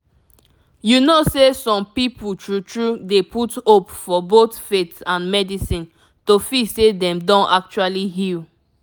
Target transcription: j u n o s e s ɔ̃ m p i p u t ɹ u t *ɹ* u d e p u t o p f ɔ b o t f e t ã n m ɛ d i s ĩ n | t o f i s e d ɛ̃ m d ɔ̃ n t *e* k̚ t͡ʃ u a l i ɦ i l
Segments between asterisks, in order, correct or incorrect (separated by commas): correct, incorrect